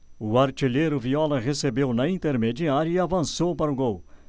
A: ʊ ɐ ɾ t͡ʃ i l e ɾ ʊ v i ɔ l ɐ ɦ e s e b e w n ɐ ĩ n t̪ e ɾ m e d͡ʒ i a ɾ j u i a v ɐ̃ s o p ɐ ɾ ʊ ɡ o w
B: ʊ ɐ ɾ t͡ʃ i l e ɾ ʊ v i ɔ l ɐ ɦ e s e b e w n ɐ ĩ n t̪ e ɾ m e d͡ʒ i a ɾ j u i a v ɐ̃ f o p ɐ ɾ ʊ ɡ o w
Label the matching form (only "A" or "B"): A